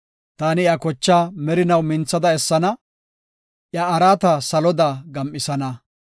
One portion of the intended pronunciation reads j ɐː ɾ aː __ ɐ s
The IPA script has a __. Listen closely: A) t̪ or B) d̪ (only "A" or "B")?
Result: A